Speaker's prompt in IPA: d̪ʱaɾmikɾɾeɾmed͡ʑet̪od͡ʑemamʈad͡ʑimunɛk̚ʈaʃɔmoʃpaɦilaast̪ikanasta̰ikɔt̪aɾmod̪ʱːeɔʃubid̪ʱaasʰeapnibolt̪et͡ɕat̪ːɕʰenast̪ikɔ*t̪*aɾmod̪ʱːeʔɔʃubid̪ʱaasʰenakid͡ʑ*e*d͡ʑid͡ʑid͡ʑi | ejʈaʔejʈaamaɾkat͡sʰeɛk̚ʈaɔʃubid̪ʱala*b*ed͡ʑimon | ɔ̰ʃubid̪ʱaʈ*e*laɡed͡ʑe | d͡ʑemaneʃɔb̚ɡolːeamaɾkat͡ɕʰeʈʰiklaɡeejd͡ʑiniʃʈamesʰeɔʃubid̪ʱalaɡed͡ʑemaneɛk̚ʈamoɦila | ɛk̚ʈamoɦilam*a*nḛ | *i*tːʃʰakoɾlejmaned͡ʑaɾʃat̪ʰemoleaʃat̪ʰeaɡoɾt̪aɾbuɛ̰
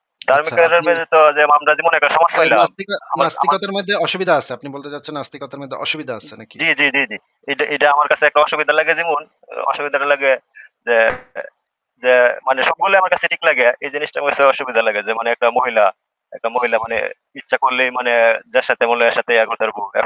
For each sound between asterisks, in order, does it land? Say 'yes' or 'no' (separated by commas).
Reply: yes, no, no, no, yes, yes